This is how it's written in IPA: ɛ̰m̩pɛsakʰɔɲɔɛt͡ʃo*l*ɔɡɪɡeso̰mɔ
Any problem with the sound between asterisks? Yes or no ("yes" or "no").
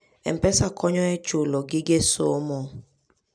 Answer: no